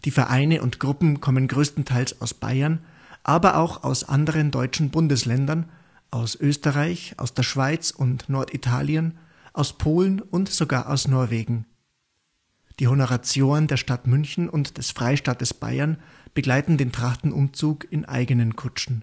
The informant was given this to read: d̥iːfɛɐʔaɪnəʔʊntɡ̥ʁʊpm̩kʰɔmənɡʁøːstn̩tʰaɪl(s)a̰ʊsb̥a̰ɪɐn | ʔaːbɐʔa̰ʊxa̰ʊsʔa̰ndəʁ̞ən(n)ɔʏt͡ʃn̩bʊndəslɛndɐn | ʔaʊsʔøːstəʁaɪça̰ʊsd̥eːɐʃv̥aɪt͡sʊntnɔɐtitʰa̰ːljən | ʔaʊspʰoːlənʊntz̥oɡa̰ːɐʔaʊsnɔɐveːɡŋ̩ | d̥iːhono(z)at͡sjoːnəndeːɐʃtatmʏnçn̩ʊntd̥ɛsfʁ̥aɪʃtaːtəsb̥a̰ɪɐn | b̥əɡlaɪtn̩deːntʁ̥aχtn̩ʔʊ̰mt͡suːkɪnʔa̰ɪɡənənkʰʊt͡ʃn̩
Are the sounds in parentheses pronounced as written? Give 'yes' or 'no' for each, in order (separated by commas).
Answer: yes, no, no